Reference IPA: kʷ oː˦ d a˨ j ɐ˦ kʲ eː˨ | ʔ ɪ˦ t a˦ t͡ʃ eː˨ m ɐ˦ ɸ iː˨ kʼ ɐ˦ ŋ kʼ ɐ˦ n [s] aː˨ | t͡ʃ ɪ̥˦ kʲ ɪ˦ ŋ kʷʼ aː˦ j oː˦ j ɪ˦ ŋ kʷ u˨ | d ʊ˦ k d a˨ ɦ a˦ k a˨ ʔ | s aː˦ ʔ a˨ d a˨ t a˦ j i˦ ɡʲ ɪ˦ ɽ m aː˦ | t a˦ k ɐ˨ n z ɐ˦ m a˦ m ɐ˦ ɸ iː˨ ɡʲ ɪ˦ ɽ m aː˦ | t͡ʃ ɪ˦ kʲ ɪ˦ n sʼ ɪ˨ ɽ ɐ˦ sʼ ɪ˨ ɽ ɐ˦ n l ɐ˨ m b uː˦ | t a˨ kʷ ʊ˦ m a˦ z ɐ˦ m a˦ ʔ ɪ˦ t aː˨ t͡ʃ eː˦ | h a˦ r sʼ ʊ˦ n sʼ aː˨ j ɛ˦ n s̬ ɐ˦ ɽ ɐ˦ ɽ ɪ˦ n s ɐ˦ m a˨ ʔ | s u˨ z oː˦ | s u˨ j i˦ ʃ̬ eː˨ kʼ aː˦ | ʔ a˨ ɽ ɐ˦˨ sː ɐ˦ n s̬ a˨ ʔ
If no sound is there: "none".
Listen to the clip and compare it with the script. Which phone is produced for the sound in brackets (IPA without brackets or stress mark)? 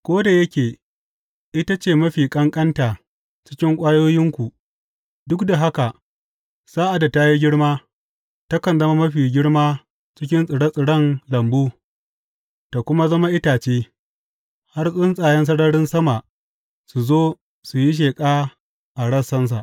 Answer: t